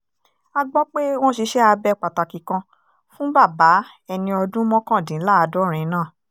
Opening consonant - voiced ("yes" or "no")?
yes